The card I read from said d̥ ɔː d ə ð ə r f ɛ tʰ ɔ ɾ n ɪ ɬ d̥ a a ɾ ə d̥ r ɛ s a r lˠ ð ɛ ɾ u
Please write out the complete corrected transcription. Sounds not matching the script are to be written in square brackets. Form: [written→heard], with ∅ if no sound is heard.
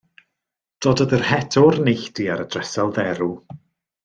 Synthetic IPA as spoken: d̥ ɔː d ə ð ə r [f→h] ɛ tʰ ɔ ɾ n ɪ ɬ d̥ [a→i] a ɾ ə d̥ r ɛ s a [r→∅] lˠ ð ɛ ɾ u